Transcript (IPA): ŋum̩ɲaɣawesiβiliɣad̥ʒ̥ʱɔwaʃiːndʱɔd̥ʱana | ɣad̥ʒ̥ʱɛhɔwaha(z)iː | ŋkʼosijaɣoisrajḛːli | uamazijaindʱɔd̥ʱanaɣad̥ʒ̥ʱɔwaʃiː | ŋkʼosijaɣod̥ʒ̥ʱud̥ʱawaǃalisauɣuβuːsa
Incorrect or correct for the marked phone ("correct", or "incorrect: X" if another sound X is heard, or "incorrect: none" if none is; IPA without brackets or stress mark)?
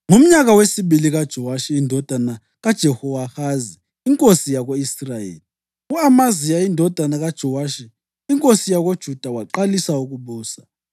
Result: correct